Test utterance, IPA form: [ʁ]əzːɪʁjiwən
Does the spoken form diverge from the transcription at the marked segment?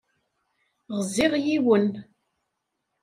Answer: no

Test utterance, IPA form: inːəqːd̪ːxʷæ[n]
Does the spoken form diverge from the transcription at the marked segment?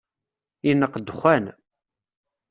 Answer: no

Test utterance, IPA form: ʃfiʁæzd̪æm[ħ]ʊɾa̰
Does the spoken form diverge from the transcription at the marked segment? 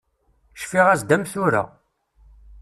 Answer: yes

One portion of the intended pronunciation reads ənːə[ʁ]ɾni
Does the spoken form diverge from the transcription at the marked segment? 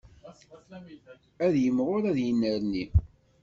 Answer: yes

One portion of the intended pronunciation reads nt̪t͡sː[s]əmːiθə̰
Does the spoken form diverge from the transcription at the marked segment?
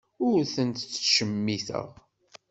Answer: yes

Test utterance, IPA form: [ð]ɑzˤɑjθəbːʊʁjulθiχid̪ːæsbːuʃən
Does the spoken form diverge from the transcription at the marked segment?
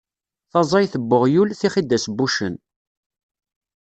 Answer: yes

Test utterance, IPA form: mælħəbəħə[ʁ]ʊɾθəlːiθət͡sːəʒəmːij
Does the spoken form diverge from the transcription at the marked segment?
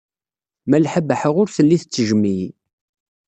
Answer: no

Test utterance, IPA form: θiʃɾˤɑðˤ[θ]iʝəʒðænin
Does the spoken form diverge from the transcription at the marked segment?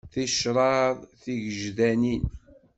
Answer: no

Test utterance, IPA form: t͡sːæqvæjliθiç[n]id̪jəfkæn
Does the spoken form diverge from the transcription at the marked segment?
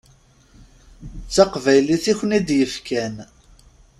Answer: no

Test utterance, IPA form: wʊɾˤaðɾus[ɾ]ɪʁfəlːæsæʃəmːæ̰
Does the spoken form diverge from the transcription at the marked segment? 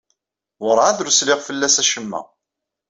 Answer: yes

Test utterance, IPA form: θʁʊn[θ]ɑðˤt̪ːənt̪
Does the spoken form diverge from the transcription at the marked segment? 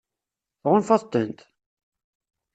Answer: yes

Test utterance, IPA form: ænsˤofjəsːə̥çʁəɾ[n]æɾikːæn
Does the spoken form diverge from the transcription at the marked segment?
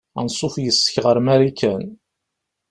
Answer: yes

